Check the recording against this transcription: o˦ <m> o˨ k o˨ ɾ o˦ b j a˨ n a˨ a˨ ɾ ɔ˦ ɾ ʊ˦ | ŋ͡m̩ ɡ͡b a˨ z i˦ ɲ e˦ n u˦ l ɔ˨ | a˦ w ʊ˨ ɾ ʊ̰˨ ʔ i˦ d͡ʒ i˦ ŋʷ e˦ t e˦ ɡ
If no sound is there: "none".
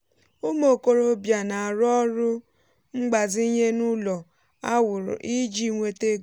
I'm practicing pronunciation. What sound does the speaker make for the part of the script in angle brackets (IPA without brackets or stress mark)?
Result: m